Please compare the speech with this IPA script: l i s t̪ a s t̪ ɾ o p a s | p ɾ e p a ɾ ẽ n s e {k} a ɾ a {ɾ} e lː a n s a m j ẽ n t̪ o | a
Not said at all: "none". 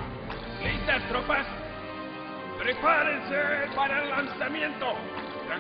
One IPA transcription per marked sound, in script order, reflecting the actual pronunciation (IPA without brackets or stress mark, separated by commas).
p, none